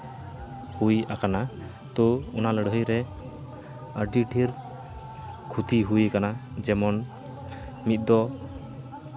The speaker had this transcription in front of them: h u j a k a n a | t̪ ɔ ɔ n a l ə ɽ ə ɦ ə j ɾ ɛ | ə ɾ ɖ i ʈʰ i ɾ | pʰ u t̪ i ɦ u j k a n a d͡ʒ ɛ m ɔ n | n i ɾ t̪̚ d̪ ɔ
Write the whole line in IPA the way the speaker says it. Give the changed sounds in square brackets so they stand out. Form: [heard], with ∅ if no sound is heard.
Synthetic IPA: h u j a k a n a | t̪ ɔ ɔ n a l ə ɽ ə ɦ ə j ɾ ɛ | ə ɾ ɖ i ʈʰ i ɾ | [kʰ] u t̪ i ɦ u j k a n a d͡ʒ ɛ m ɔ n | [m] i [∅] t̪̚ d̪ ɔ